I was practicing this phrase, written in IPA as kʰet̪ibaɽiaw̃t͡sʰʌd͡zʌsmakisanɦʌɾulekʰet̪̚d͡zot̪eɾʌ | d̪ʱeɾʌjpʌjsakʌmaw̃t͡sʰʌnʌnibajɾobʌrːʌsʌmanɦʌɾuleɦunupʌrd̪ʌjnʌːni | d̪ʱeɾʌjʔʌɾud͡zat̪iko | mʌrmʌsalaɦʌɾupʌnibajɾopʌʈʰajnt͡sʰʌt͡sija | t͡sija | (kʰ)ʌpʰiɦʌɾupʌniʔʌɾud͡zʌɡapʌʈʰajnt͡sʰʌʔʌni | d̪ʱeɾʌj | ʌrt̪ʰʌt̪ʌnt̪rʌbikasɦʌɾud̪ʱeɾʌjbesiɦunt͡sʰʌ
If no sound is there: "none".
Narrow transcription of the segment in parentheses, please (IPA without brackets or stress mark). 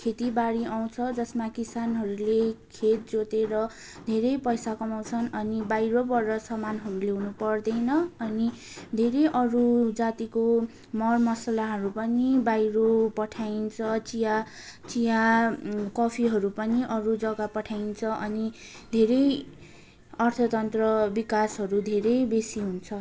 k